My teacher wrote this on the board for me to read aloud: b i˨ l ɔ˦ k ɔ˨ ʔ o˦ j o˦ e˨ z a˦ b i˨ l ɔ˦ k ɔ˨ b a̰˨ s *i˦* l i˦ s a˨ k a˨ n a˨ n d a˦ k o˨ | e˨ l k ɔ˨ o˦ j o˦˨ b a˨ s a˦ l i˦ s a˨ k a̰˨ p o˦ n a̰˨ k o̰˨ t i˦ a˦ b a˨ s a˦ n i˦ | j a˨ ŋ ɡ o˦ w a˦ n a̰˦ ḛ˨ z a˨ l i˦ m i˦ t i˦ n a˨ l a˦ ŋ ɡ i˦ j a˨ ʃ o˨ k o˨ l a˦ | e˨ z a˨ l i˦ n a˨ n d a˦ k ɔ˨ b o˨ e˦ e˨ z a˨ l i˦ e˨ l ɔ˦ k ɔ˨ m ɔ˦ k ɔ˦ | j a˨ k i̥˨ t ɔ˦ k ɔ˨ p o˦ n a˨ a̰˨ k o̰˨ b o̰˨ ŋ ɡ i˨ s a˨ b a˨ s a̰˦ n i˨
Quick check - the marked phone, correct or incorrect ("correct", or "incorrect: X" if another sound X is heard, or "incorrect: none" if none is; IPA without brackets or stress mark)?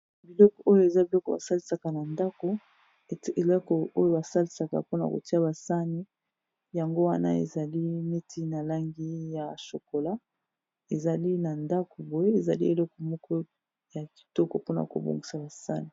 incorrect: a˦